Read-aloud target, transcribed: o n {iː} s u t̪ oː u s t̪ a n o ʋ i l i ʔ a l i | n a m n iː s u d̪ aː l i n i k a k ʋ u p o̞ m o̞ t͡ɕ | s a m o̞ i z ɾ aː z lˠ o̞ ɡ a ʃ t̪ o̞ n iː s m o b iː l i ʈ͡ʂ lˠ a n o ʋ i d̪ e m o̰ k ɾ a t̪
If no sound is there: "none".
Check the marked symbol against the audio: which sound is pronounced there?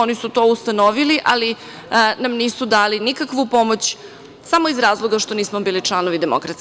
i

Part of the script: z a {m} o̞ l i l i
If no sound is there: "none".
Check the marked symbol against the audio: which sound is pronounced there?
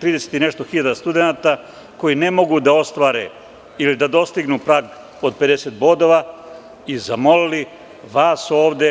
m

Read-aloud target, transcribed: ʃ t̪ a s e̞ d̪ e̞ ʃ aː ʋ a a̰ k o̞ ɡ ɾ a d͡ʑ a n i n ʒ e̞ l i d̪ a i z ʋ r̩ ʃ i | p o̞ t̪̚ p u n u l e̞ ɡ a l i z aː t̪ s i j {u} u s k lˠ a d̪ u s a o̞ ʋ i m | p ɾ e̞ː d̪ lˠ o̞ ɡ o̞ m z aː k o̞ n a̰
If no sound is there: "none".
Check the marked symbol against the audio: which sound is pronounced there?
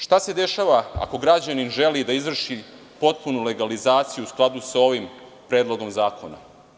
u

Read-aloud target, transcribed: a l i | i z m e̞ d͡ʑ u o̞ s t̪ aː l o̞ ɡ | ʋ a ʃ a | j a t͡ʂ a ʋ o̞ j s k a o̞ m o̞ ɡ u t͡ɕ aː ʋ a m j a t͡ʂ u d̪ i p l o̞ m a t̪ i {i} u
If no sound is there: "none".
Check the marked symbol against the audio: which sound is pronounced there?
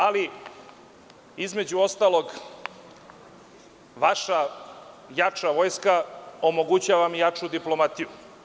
j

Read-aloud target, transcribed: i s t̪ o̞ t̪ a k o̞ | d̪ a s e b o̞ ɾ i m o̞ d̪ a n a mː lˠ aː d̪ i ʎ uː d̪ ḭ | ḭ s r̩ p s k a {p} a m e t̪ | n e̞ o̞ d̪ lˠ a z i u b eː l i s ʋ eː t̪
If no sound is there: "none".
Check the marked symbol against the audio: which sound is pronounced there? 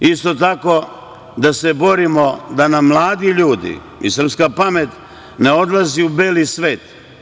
p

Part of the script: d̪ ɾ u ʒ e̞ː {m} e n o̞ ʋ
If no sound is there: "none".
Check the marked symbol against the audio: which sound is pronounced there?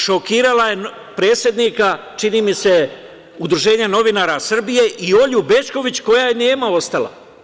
ɲ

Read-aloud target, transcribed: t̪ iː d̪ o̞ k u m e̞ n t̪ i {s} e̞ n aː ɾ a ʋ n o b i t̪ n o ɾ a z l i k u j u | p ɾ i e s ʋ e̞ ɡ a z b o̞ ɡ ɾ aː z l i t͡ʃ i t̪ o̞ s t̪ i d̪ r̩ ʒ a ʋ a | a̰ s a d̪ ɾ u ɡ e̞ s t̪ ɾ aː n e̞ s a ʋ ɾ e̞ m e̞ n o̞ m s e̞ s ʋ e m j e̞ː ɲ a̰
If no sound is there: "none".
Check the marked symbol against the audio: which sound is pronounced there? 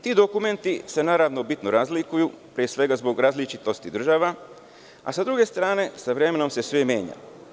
s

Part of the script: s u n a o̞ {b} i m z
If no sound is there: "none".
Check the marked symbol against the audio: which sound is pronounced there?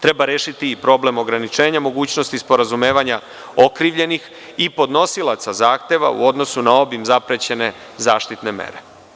b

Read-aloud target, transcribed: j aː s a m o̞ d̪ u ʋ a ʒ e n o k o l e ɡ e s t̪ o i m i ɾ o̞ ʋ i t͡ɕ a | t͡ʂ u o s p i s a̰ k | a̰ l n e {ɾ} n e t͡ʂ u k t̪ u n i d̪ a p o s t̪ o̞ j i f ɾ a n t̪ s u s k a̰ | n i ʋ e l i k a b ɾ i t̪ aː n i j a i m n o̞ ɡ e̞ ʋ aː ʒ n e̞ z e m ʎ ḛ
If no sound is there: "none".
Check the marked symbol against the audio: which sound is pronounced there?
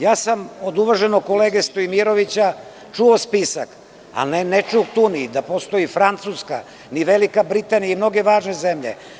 none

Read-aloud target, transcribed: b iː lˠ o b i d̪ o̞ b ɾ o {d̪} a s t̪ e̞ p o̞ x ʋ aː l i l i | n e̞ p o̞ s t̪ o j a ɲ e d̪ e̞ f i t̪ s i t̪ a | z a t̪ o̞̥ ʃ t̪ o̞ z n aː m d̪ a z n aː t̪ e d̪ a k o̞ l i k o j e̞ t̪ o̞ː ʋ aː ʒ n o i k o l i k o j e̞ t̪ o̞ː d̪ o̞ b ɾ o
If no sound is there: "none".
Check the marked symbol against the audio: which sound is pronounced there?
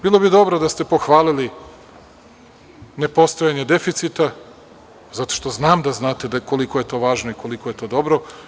d̪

